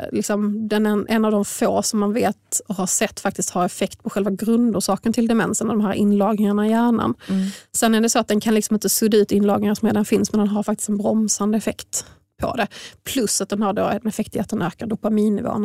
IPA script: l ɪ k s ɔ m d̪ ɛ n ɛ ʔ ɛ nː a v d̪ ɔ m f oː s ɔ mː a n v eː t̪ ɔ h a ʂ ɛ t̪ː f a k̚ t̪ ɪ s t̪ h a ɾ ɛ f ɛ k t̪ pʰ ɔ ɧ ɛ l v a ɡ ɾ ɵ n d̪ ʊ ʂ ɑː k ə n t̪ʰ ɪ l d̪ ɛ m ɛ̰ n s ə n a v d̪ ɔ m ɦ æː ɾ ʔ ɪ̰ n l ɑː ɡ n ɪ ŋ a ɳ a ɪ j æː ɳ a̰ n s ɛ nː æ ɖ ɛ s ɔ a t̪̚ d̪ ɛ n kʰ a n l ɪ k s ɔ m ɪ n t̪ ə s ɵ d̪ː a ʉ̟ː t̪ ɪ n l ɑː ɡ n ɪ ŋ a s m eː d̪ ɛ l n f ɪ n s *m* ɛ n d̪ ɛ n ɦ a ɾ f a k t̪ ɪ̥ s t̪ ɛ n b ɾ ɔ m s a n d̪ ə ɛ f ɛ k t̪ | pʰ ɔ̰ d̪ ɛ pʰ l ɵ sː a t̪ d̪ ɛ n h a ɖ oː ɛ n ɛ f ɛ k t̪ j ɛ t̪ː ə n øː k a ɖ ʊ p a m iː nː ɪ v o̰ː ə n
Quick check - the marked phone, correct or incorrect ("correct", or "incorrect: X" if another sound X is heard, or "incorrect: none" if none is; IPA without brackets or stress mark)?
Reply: correct